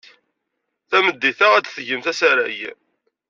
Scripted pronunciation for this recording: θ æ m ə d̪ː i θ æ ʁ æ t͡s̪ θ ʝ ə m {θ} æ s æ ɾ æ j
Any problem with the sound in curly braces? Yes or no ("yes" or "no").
no